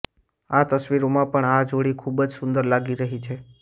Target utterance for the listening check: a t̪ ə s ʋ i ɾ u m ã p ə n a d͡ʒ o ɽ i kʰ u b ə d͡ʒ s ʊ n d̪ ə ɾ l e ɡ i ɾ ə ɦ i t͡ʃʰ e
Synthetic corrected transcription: a t̪ ə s ʋ i ɾ o m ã p ə ɳ a d͡ʒ o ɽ i kʰ u b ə d͡ʒ s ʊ n d̪ ə ɾ l a ɡ i ɾ ə ɦ i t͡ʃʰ e